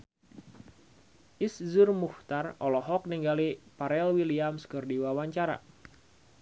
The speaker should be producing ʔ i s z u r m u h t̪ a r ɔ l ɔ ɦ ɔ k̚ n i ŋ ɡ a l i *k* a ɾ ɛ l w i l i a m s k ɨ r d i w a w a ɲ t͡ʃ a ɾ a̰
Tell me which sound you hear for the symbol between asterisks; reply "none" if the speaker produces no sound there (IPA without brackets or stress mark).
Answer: p